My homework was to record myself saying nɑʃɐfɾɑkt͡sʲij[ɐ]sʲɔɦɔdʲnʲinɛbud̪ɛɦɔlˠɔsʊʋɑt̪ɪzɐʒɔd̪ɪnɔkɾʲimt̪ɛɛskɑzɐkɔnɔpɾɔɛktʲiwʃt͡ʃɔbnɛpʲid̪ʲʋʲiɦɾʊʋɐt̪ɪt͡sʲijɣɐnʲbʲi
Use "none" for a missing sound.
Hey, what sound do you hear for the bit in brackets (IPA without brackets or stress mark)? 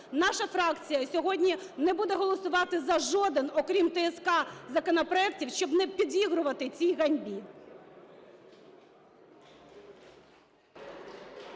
ɐ